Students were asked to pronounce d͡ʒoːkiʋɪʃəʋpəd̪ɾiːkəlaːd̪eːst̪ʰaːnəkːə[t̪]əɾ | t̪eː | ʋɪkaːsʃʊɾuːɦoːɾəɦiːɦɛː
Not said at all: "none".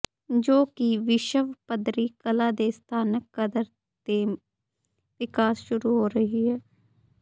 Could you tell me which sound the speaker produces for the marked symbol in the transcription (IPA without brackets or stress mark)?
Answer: d̪